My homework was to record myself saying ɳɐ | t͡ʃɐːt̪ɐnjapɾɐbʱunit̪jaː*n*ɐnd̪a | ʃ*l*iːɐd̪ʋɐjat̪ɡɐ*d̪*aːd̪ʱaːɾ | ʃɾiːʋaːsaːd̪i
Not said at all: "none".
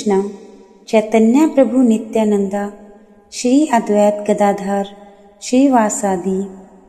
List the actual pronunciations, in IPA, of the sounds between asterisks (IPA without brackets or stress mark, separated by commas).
n, ɾ, d̪